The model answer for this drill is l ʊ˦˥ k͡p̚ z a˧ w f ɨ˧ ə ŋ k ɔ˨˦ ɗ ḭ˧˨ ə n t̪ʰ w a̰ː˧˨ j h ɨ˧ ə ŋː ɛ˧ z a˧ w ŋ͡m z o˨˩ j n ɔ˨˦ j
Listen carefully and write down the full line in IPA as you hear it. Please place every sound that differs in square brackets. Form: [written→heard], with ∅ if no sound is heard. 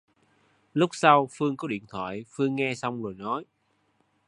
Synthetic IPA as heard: l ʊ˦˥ k͡p̚ [z→s] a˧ w f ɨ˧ ə ŋ k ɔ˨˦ ɗ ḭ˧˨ ə n t̪ʰ w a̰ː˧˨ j [h→f] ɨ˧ ə ŋː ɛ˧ [z→s] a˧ w ŋ͡m z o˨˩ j n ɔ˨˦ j

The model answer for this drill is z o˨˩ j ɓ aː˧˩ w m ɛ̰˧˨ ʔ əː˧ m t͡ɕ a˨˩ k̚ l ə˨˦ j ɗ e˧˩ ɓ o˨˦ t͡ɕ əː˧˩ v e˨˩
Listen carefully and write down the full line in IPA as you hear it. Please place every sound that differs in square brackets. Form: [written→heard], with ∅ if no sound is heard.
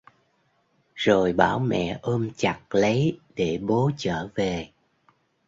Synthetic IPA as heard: z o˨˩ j ɓ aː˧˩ w m ɛ̰˧˨ ʔ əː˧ m t͡ɕ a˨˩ k̚ l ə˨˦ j ɗ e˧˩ ɓ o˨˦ t͡ɕ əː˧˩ v e˨˩

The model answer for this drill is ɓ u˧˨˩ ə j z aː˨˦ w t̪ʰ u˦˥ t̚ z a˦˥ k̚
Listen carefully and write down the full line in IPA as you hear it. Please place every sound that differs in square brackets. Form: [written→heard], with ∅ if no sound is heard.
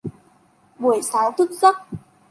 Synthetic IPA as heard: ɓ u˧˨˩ ə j [z→s] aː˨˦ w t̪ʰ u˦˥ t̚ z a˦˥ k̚

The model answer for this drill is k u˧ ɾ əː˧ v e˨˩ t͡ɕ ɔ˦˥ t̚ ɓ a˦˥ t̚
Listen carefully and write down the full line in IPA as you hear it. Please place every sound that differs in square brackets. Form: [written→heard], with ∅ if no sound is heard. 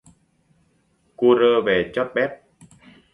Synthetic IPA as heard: k u˧ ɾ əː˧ v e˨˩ t͡ɕ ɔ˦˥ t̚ ɓ [a˦˥→ɛ˦˥] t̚

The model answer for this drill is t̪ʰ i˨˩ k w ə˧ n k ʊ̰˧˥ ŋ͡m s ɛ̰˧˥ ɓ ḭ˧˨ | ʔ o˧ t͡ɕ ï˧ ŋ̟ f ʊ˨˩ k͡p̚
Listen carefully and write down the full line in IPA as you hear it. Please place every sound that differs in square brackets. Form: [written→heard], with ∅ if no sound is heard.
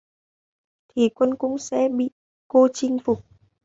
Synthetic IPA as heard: t̪ʰ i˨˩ k w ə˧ n k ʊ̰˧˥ ŋ͡m s ɛ̰˧˥ ɓ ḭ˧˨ | [ʔ→k] o˧ t͡ɕ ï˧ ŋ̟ f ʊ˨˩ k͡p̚

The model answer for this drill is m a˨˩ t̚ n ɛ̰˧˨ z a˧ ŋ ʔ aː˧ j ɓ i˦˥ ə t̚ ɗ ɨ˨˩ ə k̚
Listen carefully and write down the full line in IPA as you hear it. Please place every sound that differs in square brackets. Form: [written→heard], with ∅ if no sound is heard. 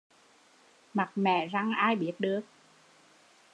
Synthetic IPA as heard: m a˨˩ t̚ [n→m] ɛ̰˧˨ z a˧ ŋ ʔ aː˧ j ɓ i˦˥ ə t̚ ɗ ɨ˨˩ ə k̚

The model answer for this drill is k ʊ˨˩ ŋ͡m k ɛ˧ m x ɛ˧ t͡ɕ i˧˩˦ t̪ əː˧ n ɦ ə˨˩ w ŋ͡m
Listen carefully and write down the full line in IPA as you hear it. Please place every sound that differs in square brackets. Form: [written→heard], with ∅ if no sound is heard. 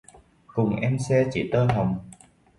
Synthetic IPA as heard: k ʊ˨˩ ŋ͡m [k→ʔ] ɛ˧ m [x→s] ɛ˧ t͡ɕ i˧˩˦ t̪ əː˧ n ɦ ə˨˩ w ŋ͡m

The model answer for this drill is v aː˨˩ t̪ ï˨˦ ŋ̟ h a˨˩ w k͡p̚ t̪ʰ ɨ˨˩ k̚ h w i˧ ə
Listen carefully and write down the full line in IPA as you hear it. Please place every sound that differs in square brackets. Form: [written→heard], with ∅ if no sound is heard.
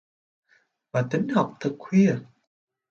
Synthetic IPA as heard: v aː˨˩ t̪ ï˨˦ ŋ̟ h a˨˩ w k͡p̚ t̪ʰ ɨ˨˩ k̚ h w i˧ ə

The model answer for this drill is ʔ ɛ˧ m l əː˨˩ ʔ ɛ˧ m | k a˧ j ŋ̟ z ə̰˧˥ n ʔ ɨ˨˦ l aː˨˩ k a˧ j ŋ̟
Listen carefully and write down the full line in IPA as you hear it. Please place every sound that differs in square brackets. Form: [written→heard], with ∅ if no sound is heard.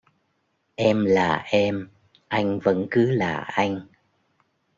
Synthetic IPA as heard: ʔ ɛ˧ m l [əː˨˩→aː˨˩] ʔ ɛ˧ m | [k→ʔ] a˧ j ŋ̟ [z→v] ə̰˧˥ n [ʔ→k] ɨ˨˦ l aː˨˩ [k→ʔ] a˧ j ŋ̟

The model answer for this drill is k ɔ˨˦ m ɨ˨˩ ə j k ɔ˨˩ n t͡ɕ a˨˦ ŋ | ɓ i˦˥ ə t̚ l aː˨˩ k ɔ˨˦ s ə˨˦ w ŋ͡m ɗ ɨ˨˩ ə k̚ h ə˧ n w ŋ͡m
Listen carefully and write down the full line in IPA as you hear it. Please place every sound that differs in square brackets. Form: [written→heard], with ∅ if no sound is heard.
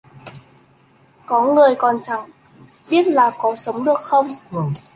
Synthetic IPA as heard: k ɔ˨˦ [m→ŋ] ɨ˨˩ ə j k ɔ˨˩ n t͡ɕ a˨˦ ŋ | ɓ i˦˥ ə t̚ l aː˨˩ k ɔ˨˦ s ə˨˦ w ŋ͡m ɗ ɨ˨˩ ə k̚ [h→x] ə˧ [n→∅] w ŋ͡m

